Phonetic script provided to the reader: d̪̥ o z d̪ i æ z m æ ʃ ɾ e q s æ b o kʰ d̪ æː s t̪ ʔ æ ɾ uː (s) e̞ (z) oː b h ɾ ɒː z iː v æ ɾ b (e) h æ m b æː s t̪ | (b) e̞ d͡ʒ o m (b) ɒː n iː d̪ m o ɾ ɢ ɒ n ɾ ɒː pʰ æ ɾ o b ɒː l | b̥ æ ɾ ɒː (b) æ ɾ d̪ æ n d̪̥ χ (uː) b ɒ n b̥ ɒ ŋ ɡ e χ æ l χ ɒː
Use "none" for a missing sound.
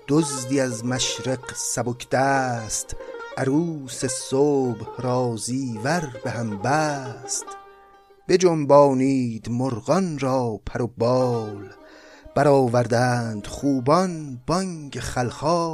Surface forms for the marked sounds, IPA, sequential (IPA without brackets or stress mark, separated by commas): s, s, e, b, b, v, uː